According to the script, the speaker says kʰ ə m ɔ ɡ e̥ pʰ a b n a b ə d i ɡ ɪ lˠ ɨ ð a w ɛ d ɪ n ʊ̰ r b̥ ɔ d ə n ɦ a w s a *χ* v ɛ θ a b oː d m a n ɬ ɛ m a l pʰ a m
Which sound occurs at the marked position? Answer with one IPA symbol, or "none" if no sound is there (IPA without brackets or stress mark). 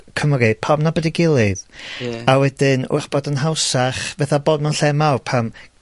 χ